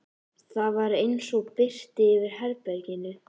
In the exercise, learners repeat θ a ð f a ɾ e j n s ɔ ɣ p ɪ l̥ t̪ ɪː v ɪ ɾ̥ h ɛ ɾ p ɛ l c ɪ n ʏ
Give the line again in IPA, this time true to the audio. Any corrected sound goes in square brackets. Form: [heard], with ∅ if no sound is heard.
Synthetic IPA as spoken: θ a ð [v] a ɾ e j n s ɔ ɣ p ɪ [r̥] t̪ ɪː v ɪ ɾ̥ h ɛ ɾ p ɛ [ɾ] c ɪ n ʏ

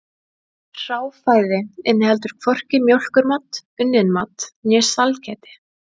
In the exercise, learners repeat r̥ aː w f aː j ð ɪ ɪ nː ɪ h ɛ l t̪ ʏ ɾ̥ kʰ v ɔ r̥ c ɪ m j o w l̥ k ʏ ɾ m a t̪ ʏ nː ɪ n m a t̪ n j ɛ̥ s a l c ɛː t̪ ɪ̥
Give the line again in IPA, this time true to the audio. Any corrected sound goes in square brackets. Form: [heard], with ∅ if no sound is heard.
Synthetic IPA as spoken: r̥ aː w f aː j ð ɪ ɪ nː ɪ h ɛ l t̪ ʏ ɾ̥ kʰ v ɔ r̥ c ɪ m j o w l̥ k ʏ ɾ m a t̪ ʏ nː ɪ n m a t̪ n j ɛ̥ s a l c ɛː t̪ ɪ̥

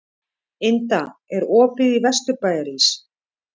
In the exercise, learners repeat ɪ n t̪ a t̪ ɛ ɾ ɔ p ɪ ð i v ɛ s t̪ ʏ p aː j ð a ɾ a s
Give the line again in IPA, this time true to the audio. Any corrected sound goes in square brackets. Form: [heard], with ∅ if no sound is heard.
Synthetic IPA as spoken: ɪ n t̪ a [∅] ɛ ɾ [ɔː] p ɪ ð i v ɛ s t̪ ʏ p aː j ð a ɾ [i] s

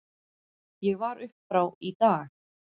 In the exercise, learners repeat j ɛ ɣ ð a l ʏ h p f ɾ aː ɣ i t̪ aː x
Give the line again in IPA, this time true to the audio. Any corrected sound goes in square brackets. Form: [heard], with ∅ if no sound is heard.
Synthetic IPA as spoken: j ɛ ɣ [v] a [ɾ] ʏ h p f ɾ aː [w] i t̪ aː x

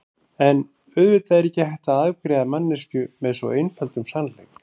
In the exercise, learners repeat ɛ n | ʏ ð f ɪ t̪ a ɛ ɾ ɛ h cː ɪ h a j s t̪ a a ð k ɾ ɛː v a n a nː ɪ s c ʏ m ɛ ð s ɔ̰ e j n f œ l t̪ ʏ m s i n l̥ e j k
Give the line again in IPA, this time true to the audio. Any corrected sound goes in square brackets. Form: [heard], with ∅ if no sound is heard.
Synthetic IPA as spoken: ɛ n | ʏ ð [v] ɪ t̪ a ɛ ɾ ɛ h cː ɪ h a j [h] t̪ a a ð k ɾ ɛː [ð] a [m] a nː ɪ s c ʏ m ɛ ð s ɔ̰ e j n f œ l t̪ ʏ m s [a] n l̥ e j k

